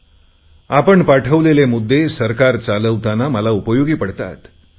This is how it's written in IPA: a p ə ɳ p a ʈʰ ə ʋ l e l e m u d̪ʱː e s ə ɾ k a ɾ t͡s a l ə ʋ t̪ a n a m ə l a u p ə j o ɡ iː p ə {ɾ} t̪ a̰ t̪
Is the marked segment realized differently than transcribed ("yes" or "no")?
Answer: yes